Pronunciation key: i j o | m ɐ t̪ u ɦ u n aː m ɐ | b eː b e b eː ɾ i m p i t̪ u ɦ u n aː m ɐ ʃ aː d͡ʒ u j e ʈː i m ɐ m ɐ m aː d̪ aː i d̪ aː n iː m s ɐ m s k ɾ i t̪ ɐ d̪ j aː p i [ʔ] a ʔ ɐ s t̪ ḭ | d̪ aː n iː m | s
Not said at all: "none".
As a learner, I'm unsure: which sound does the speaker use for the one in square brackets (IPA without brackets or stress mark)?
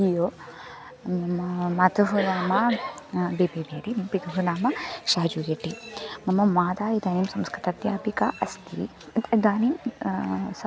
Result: k